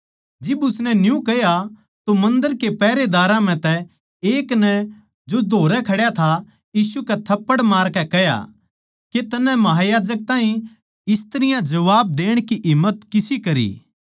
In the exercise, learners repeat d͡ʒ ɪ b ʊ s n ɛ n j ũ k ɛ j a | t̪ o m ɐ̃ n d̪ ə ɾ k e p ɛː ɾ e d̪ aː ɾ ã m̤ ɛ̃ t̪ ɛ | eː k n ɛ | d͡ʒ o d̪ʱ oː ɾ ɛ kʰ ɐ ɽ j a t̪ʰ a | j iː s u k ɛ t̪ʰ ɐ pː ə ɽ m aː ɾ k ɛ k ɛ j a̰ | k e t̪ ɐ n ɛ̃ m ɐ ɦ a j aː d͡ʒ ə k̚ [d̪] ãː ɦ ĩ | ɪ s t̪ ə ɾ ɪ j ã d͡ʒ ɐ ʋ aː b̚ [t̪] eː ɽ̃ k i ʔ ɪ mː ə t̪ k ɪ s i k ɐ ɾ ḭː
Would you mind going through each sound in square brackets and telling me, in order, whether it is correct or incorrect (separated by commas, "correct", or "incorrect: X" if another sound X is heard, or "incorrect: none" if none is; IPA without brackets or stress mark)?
incorrect: t̪, incorrect: d̪